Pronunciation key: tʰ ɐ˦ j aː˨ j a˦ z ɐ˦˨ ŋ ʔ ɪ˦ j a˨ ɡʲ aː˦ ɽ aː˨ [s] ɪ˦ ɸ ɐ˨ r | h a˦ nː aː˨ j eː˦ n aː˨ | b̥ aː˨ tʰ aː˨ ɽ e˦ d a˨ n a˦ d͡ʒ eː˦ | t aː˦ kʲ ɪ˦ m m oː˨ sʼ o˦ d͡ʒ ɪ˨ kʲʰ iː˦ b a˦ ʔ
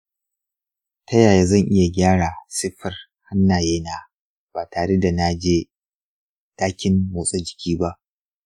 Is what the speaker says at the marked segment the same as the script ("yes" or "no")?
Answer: yes